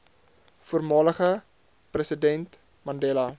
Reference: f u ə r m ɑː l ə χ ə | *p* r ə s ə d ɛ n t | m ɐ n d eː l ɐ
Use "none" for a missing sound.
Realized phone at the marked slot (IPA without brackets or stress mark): p